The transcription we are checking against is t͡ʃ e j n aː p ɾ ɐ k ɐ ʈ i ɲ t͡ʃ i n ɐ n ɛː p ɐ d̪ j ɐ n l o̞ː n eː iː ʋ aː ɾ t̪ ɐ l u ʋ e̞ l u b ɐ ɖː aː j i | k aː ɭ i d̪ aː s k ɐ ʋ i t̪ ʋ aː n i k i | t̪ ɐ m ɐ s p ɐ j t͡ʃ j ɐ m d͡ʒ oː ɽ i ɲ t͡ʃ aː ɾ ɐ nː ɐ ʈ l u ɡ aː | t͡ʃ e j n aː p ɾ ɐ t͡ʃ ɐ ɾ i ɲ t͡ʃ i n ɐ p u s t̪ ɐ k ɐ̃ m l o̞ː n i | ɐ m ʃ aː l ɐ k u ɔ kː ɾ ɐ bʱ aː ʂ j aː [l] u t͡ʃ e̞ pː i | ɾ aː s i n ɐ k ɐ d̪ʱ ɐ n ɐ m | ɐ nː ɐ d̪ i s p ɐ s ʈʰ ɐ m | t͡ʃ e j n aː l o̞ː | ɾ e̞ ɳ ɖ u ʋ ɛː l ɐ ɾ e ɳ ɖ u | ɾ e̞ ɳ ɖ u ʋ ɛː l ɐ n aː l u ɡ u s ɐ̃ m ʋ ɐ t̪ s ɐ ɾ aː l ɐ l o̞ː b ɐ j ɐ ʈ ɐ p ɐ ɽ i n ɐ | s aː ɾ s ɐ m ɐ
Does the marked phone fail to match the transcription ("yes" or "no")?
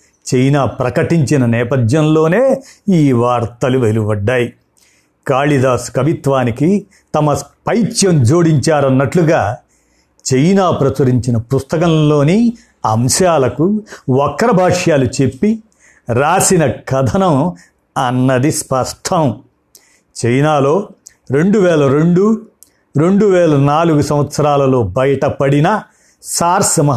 no